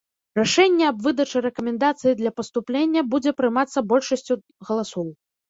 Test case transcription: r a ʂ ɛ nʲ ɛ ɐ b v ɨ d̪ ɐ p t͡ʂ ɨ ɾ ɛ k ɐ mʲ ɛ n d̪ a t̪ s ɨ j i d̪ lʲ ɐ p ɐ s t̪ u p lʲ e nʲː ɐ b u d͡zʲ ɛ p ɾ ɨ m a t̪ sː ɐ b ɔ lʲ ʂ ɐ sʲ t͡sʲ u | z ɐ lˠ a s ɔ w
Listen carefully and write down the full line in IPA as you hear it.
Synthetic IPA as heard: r a ʂ ɛ nʲː ɛ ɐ b v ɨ d̪ ɐ t͡ʂ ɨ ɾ ɛ k ɐ mʲ ɛ n d̪ a t̪ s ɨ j i d̪ lʲ ɐ p ɐ s t̪ u p lʲ e nʲː ɐ b u d͡zʲ ɛ p ɾ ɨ m a t̪ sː ɐ b ɔ lʲ ʂ ɐ sʲ t͡sʲ u | ɣ ɐ lˠ a s ɔ w